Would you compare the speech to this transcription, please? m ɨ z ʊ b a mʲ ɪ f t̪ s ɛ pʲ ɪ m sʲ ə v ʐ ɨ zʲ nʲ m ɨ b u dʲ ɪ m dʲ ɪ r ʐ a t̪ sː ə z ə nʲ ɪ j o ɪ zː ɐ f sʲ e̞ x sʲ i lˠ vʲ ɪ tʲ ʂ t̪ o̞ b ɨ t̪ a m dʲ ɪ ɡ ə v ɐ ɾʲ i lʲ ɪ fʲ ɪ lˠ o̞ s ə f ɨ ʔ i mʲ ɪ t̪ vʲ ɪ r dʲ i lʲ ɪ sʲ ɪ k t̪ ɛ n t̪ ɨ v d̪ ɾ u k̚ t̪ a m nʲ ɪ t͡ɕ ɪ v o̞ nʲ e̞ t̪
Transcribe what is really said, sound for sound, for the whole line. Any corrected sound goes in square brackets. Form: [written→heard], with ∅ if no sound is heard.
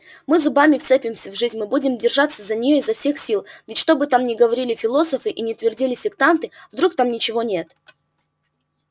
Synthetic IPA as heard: m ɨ z ʊ b a mʲ ɪ f t̪ s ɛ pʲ ɪ m sʲ ə v ʐ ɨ zʲ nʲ m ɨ b u dʲ ɪ m dʲ ɪ r ʐ a t̪ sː ə z ə nʲ ɪ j o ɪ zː ɐ f sʲ e̞ x sʲ i lˠ vʲ ɪ tʲ ʂ t̪ o̞ b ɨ t̪ a m [dʲ→nʲ] ɪ ɡ ə v ɐ ɾʲ i lʲ ɪ fʲ ɪ lˠ o̞ s ə f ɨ ʔ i [mʲ→nʲ] ɪ t̪ vʲ ɪ r dʲ i lʲ ɪ sʲ ɪ k t̪ [ɛ→a] n t̪ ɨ v d̪ ɾ u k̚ t̪ a m nʲ ɪ t͡ɕ ɪ v o̞ nʲ e̞ t̪